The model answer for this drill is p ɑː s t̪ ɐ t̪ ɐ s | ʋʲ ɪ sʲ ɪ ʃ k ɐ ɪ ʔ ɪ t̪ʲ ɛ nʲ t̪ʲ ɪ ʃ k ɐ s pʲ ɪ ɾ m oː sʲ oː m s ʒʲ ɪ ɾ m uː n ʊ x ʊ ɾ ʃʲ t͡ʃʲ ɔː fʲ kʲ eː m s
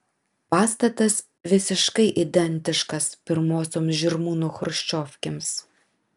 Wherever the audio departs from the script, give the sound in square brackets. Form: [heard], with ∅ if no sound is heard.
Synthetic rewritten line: p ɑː s t̪ ɐ t̪ ɐ s | ʋʲ ɪ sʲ ɪ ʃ k ɐ ɪ ʔ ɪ [d̪ʲ] ɛ nʲ t̪ʲ ɪ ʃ k ɐ s pʲ ɪ ɾ m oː sʲ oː m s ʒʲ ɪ ɾ m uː n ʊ x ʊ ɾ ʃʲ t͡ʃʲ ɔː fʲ kʲ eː m s